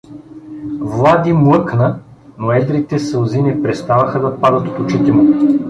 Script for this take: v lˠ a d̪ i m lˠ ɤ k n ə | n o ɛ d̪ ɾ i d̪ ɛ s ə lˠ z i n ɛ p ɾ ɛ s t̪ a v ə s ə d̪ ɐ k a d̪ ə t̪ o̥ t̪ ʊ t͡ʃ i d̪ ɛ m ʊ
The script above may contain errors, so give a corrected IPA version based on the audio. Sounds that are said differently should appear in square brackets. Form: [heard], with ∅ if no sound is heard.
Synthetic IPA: v lˠ a d̪ i m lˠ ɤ k n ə | n o ɛ d̪ ɾ i [t̪] ɛ s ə lˠ z i n ɛ p ɾ ɛ s t̪ a v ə [x] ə d̪ ɐ [p] a d̪ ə t̪ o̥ t̪ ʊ t͡ʃ i [t̪] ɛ m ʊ